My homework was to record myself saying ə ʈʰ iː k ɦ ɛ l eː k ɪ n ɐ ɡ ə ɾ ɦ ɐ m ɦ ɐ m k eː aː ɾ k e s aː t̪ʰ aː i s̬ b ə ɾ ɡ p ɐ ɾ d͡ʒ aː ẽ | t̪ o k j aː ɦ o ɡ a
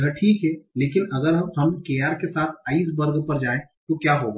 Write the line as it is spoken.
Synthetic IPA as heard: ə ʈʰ iː k ɦ ɛ l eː k ɪ n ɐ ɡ ə ɾ ɦ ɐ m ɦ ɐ m k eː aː ɾ k e s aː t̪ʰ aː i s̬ b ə ɾ ɡ p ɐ ɾ d͡ʒ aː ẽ | t̪ o k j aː ɦ o ɡ a